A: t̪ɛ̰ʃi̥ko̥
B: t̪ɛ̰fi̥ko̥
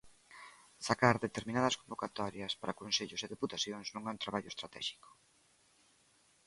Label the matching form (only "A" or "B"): A